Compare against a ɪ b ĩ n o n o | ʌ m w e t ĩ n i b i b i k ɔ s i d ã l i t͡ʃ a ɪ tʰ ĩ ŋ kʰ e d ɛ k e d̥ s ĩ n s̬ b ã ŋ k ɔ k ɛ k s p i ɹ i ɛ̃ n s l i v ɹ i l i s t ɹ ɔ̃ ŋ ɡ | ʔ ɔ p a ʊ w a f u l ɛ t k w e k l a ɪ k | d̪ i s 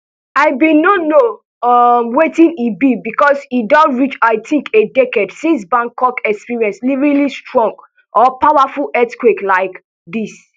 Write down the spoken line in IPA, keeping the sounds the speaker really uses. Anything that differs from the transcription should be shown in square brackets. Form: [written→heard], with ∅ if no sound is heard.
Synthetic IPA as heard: a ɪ b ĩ n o n o | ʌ m w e t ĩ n i b i b i k ɔ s i d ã [l→ɹ] i t͡ʃ a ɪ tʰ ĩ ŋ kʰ e d ɛ k e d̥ s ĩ n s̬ b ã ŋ k ɔ k ɛ k s p i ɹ i ɛ̃ n s l i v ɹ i l i s t ɹ ɔ̃ ŋ ɡ | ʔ ɔ p a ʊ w a f u l ɛ t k w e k l a ɪ k | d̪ i s

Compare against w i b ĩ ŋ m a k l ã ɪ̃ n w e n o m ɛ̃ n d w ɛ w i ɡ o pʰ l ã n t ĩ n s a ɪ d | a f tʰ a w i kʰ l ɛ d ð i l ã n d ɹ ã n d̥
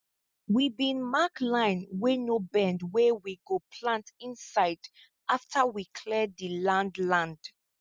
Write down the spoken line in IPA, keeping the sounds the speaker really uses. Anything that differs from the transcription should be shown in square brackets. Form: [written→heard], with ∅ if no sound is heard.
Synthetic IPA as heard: w i b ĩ [ŋ→n] m a k l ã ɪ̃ n w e n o [m→b] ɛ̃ n d w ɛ w i ɡ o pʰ l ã n t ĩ n s a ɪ d | a f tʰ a w i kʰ l ɛ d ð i l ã n d [ɹ→l] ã n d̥

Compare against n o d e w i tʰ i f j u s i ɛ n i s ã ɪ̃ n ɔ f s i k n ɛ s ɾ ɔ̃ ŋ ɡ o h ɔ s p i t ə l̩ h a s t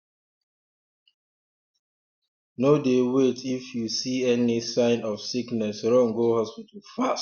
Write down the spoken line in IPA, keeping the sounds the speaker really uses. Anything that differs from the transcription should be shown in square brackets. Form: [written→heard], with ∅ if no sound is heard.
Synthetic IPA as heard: n o d e w [i→e] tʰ i f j u s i ɛ n i s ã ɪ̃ n ɔ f s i k n ɛ s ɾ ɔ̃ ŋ ɡ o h ɔ s p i t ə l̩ [h→f] a s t

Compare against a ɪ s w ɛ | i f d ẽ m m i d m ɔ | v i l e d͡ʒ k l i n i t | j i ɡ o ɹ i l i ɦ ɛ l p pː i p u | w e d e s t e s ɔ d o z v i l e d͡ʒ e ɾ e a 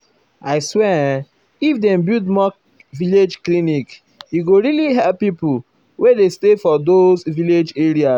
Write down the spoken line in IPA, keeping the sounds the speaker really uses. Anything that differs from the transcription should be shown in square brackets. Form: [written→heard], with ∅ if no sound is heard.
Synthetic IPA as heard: a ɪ s w ɛ | i f d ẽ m [m→b] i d m ɔ | v i l e d͡ʒ k l i n i [t→k] | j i ɡ o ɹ i l i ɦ ɛ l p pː i p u | w e d e s t e [s→f] ɔ d o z v i l e d͡ʒ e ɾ [e→i] a

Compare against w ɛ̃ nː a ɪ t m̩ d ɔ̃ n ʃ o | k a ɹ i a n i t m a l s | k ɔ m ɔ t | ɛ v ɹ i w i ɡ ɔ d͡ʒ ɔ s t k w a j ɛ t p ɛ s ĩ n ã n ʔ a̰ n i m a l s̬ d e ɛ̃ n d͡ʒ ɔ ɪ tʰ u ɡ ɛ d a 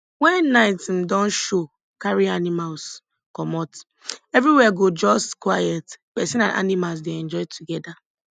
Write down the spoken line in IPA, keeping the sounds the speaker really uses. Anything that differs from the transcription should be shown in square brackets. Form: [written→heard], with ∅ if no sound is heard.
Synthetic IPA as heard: w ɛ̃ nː a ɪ t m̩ d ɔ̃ n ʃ o | k a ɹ i a n i [t→∅] m a l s | k ɔ m ɔ t | ɛ v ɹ i w [i→ɛ] ɡ [ɔ→o] d͡ʒ ɔ s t k w a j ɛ t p ɛ s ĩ n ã n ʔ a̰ n i m a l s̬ d e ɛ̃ n d͡ʒ ɔ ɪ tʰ u ɡ ɛ d a

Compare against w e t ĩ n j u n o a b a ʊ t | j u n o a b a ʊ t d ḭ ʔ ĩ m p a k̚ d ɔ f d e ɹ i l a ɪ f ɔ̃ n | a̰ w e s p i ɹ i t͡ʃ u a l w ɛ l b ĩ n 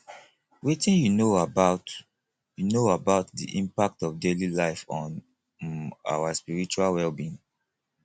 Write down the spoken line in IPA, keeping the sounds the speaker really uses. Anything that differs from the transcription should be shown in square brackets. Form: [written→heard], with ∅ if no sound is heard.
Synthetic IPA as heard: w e t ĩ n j u n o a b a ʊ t | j u n o a b a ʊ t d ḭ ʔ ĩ m p a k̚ [d→t] ɔ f d e [ɹ→l] i l a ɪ f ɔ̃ n | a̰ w [e→a] s p i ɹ i t͡ʃ u a l w ɛ l b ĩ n

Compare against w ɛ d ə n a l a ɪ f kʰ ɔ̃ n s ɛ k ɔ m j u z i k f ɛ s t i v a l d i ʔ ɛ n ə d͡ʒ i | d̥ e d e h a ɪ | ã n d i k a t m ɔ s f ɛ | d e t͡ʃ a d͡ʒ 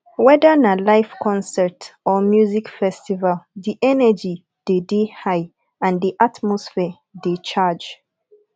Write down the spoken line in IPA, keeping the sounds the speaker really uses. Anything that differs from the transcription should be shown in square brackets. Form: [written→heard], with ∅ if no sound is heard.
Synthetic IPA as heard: w ɛ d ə n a l a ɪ f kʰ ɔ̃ n s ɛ [k→t] ɔ m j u z i k f ɛ s t i v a l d i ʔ ɛ n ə d͡ʒ i | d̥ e d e h a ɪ | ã n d i [k→ʔ] a t m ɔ s f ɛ | d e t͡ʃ a d͡ʒ

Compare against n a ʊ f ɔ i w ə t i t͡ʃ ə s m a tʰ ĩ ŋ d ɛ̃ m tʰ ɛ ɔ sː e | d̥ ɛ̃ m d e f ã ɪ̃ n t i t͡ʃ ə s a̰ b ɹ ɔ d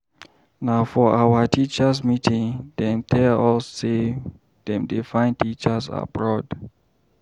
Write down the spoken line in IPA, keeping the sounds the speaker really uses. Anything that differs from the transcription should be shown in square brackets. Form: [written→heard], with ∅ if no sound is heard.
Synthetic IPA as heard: n a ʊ f ɔ [i→a] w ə t i t͡ʃ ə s m [a→i] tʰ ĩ ŋ d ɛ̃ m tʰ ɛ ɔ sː e | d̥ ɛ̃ m d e f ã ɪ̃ n t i t͡ʃ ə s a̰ b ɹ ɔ d

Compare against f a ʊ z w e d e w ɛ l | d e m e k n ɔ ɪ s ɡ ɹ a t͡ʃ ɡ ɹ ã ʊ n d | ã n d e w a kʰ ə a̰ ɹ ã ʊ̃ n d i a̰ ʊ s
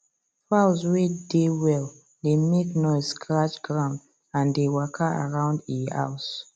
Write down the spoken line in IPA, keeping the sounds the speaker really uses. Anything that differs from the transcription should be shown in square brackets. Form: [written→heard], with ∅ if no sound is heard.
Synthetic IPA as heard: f a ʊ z w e d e w ɛ l | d e m e k n ɔ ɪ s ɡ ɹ a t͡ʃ ɡ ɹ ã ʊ n d | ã n d e w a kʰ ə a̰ ɹ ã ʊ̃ n d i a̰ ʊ s

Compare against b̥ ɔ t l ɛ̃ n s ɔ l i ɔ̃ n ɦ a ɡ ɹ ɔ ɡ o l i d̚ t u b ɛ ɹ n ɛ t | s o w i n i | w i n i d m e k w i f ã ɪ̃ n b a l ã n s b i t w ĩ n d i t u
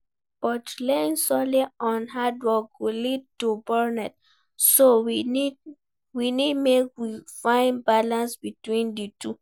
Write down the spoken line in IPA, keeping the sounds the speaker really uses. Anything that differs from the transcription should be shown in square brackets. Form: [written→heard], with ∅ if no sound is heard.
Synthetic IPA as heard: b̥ ɔ t l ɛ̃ n s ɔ l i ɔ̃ n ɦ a [ɡ→d] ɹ ɔ ɡ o l i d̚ t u b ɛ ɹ n ɛ t | s o w i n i | w i n i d m e k w i f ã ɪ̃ n b a l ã n s b i t w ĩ n d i t u

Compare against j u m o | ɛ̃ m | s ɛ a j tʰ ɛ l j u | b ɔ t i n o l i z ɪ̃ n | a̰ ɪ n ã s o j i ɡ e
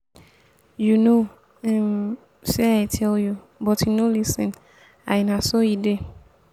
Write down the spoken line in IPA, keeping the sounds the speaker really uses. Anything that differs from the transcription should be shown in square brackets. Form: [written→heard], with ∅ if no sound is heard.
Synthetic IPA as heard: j u [m→n] o | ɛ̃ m | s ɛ a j tʰ ɛ l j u | b ɔ t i n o l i [z→s] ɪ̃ n | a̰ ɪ n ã s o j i [ɡ→d] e

